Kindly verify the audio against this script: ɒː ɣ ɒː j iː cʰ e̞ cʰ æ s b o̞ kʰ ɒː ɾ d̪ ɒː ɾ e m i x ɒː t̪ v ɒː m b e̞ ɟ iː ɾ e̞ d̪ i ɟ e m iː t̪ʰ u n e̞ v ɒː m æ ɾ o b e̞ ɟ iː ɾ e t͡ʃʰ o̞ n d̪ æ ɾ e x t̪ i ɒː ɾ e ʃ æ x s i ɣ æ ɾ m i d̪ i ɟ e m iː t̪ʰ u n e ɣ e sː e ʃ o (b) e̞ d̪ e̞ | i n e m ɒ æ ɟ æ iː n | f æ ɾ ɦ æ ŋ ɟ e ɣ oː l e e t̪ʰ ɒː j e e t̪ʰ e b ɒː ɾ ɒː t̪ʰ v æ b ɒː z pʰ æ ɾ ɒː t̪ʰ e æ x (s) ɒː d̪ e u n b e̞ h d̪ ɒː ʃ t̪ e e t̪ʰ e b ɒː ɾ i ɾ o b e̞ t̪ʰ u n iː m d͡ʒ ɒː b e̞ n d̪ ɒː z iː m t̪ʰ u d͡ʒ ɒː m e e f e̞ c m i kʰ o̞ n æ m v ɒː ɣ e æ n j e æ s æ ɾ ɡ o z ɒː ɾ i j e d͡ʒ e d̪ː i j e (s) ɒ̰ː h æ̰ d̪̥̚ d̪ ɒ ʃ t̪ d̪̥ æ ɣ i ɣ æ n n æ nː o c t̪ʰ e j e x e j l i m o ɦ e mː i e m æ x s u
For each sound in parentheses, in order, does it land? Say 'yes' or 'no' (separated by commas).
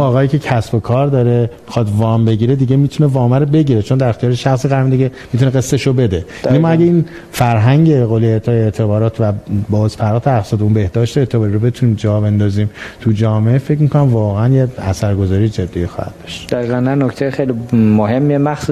yes, yes, no